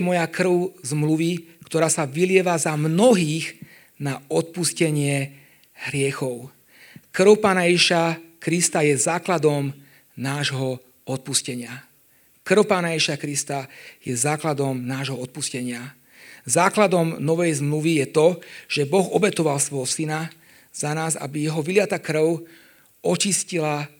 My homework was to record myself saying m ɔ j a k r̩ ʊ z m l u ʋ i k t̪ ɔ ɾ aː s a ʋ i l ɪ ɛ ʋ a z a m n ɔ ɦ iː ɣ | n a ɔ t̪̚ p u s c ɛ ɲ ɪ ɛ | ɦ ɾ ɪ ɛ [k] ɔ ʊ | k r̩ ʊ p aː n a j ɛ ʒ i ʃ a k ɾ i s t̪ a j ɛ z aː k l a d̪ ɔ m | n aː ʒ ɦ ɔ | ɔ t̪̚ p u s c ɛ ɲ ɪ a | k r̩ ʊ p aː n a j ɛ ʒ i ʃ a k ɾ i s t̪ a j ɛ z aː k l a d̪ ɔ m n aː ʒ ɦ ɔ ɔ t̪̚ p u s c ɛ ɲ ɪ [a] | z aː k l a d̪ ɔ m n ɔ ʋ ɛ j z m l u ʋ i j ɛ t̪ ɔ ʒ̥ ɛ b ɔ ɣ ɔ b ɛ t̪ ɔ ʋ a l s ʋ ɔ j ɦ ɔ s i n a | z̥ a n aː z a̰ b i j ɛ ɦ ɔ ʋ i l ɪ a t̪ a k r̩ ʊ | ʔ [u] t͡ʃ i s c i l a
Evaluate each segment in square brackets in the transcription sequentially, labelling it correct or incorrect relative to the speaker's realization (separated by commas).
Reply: incorrect, correct, incorrect